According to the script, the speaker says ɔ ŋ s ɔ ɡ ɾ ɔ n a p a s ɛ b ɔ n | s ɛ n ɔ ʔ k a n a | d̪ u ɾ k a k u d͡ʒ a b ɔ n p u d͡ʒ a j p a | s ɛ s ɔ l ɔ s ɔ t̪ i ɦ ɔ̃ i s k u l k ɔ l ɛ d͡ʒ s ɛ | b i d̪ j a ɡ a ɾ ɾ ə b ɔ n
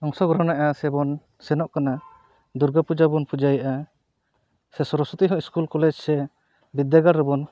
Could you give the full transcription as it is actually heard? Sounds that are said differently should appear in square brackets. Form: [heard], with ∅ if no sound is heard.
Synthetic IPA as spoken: ɔ ŋ s ɔ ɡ ɾ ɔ n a [ʔ] a s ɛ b ɔ n | s ɛ n ɔ ʔ k a n a | d̪ u ɾ [ɡ] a [p] u d͡ʒ a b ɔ n p u d͡ʒ a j [ʔ] a | s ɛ s ɔ [ɾ] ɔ s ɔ t̪ i ɦ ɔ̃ i s k u l k ɔ l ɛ d͡ʒ s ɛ | b i d̪ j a ɡ a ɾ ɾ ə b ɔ n